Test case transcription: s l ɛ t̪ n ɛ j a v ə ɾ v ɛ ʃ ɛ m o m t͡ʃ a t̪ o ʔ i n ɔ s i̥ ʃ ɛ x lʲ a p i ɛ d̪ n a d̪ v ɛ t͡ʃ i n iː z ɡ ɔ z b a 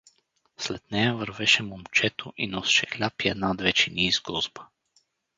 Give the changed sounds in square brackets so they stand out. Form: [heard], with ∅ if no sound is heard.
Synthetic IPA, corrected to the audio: s l ɛ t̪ n ɛ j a v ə ɾ v ɛ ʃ ɛ m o m t͡ʃ [ɛ] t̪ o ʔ i n ɔ s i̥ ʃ ɛ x lʲ a p i ɛ d̪ n a d̪ v ɛ t͡ʃ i n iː z ɡ ɔ z b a